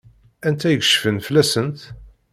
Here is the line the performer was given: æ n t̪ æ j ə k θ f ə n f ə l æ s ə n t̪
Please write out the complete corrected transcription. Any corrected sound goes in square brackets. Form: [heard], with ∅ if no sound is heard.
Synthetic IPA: æ n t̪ æ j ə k [ʃ] f ə n f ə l æ s ə n t̪